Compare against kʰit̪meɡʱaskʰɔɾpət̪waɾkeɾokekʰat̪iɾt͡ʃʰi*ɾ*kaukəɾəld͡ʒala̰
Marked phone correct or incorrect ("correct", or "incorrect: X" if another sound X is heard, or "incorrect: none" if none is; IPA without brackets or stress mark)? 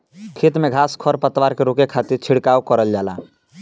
incorrect: ɽ